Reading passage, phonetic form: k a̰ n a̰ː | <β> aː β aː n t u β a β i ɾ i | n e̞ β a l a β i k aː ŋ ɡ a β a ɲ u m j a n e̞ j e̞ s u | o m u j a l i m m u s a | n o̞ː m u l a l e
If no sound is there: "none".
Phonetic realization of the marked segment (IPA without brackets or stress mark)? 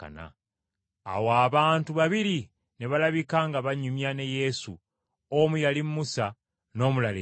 w